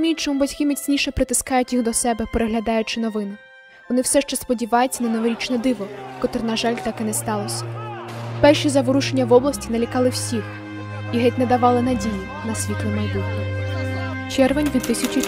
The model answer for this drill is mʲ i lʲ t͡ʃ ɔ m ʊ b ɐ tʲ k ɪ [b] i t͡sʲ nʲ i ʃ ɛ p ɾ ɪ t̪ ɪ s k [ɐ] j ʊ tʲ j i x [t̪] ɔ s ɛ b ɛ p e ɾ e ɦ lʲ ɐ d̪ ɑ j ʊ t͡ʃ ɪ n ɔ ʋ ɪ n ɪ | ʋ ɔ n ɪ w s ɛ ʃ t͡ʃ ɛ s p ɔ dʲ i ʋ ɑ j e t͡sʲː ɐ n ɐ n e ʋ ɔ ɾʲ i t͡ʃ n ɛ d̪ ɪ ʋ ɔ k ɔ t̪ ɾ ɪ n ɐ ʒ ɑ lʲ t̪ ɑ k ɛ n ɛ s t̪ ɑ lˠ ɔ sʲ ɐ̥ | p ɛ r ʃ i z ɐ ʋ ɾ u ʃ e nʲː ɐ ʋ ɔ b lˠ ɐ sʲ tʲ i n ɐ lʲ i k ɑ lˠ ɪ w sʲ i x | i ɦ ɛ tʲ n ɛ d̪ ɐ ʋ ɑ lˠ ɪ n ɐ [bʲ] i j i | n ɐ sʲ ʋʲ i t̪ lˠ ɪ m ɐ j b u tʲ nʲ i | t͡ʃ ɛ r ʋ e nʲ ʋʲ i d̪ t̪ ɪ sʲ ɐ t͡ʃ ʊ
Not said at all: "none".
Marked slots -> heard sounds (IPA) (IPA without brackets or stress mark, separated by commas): m, ɑ, d̪, dʲ